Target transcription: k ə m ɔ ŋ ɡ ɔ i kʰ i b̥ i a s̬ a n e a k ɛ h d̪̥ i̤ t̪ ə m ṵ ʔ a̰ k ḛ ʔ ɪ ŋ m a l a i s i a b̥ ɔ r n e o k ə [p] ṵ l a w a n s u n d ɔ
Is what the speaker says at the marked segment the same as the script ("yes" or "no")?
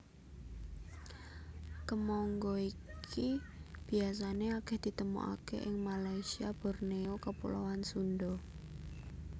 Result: yes